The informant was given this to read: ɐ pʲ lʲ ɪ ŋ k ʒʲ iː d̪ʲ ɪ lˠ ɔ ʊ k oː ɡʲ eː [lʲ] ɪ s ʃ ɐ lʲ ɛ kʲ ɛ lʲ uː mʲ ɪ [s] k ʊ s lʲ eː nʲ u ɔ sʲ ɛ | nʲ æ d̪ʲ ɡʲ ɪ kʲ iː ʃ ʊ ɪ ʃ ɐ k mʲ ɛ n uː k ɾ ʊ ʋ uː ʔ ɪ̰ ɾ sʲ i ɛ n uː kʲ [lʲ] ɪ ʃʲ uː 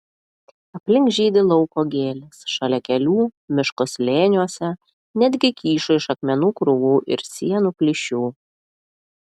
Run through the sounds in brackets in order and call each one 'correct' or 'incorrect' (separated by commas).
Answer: correct, incorrect, correct